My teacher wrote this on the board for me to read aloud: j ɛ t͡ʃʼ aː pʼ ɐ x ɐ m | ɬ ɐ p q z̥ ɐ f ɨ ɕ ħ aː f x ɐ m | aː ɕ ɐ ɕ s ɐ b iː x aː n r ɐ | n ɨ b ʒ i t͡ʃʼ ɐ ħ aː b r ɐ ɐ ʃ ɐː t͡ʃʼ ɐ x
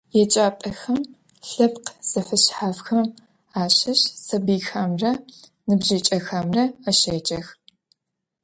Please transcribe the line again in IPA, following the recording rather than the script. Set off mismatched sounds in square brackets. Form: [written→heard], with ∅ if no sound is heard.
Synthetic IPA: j ɛ t͡ʃʼ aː pʼ ɐ x ɐ m | ɬ ɐ p q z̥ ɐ f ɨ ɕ ħ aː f x ɐ m | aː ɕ ɐ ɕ s ɐ b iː x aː [n→m] r ɐ | n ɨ b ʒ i t͡ʃʼ ɐ [ħ→x] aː [b→m] r ɐ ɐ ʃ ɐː t͡ʃʼ ɐ x